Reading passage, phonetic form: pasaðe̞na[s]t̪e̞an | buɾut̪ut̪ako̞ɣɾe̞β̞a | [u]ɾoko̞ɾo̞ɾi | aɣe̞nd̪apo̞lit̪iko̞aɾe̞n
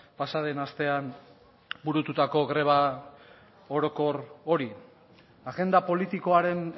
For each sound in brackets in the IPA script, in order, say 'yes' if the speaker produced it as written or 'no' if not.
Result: yes, no

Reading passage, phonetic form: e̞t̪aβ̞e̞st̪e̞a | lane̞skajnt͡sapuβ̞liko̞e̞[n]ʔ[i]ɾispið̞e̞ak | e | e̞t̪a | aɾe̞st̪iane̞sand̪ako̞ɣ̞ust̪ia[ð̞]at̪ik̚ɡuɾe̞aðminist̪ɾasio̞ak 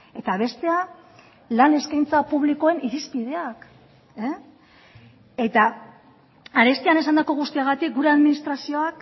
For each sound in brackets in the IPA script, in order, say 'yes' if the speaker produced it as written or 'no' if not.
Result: yes, yes, no

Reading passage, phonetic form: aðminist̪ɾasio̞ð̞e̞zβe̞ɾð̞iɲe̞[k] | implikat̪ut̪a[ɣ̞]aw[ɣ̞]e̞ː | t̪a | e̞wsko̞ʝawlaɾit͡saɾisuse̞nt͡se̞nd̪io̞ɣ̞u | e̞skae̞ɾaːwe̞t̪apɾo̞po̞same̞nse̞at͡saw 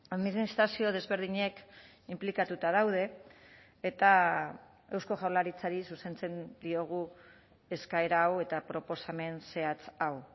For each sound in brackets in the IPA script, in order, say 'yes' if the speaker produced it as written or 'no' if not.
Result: yes, no, no

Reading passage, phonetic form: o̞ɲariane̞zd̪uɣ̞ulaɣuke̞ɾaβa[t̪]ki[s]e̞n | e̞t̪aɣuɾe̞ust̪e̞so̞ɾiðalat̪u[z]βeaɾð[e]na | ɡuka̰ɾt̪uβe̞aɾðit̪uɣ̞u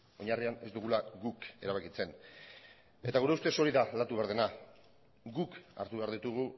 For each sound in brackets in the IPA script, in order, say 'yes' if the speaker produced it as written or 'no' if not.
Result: no, no, no, yes

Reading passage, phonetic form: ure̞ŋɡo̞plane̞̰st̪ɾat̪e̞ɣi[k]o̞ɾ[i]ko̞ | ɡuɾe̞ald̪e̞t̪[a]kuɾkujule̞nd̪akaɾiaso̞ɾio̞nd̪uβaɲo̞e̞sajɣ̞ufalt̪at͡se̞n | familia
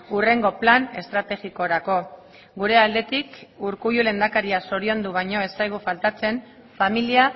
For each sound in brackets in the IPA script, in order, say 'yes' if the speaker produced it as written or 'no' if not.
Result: yes, no, no

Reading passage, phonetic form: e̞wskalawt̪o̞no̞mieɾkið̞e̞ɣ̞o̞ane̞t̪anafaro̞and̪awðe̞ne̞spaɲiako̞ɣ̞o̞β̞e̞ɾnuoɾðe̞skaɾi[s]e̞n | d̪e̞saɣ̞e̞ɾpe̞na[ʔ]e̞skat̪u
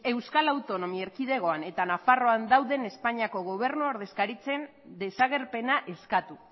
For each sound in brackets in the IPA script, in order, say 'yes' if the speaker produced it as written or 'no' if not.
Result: no, yes

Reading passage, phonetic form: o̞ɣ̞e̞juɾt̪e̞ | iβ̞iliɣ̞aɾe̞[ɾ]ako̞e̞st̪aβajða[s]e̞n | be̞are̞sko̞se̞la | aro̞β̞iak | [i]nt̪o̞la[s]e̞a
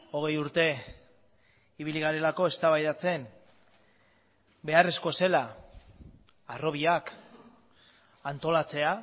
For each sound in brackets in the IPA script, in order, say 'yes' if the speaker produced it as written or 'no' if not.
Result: no, no, no, no

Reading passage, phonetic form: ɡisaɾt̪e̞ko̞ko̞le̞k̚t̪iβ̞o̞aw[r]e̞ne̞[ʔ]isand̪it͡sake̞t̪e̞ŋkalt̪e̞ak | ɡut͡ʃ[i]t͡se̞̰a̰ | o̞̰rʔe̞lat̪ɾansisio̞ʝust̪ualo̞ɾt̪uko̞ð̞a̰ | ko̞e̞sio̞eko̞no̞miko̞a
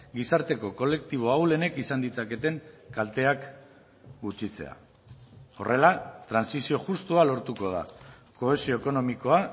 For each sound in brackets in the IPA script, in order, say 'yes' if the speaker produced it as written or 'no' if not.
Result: no, no, yes

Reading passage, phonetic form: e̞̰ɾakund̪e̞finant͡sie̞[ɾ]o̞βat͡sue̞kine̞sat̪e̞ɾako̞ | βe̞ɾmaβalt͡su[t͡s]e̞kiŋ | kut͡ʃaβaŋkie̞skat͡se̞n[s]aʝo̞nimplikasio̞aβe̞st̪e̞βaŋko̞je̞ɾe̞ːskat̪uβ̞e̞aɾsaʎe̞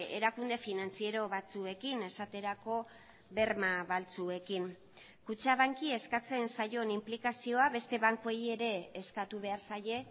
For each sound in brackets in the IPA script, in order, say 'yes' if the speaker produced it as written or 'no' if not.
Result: yes, no, yes

